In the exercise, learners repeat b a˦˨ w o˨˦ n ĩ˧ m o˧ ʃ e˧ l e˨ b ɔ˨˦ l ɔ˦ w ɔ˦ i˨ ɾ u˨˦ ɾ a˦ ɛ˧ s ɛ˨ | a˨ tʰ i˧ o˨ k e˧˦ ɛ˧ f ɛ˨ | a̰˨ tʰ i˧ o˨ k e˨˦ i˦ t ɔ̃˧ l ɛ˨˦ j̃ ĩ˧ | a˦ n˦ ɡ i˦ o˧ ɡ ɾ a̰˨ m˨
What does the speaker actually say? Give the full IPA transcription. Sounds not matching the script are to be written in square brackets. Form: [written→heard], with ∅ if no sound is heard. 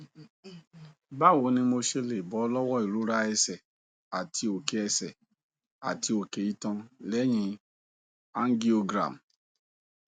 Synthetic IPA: b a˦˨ w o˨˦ n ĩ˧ m o˧ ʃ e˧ l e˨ b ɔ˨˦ l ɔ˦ w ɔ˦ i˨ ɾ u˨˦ ɾ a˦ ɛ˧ s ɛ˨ | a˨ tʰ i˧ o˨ k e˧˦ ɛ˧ [f→s] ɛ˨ | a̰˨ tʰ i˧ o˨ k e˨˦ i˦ t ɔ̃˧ l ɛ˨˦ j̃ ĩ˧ | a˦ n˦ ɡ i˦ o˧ ɡ ɾ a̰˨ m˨